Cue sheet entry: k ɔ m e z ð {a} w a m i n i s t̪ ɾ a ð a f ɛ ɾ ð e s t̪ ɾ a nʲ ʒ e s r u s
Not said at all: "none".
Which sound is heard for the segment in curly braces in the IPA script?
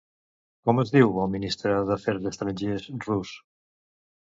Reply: i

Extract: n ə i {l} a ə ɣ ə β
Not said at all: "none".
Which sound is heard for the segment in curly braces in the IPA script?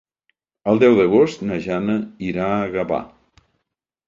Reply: ɾ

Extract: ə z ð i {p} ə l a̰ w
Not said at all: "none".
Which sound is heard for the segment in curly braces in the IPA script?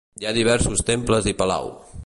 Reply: p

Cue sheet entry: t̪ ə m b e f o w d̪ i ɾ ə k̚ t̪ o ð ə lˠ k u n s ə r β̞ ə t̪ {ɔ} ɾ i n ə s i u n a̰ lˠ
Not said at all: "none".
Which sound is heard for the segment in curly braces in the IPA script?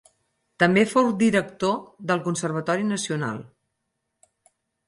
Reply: ɔ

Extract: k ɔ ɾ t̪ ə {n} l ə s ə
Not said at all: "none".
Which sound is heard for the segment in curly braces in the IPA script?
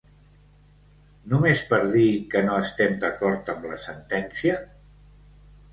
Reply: m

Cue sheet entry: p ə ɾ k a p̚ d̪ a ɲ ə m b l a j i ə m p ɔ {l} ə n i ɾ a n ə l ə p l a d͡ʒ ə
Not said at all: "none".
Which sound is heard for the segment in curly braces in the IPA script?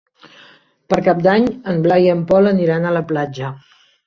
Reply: l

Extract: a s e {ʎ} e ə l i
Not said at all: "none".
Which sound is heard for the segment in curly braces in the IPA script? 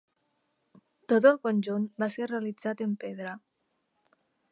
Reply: r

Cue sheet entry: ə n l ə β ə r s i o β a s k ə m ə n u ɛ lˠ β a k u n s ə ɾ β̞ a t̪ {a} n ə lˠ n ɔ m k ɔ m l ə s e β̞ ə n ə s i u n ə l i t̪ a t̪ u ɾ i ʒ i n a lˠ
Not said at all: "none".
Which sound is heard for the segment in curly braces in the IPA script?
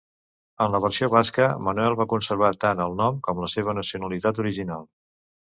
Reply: a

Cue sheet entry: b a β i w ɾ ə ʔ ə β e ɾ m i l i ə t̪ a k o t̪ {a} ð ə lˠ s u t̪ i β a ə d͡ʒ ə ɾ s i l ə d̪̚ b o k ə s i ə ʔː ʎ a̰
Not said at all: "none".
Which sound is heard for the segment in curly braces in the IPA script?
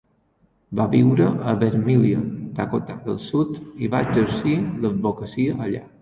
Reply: a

